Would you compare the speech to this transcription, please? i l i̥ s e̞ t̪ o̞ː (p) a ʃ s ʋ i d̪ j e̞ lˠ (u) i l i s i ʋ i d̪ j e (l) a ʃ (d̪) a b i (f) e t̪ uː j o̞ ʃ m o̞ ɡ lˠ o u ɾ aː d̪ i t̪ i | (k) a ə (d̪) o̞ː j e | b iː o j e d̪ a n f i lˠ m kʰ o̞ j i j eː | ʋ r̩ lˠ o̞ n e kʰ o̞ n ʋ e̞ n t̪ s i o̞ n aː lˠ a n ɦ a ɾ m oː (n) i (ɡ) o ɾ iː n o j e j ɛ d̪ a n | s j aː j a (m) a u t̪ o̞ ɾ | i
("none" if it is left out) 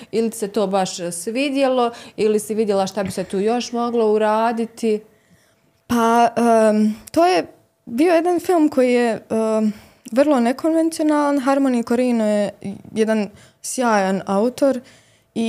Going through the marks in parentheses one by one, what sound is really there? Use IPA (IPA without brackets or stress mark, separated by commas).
b, o, l, t̪, s, p, t̪, n, k, n